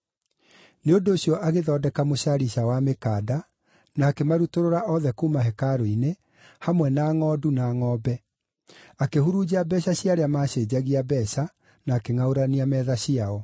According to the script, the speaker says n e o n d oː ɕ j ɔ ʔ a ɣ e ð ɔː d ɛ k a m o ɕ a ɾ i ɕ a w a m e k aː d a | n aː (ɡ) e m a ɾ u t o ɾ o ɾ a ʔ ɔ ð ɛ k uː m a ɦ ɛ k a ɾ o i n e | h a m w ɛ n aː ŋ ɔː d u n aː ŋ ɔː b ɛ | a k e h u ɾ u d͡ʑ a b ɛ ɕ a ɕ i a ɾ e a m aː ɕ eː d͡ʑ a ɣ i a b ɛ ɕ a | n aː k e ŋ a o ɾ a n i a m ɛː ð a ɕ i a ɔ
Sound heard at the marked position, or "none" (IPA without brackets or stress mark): k